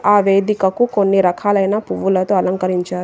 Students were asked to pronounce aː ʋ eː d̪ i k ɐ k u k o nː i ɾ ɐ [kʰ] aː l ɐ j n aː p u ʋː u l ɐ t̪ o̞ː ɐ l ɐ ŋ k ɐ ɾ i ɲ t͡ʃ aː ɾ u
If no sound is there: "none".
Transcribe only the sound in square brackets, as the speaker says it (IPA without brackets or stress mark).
kʰ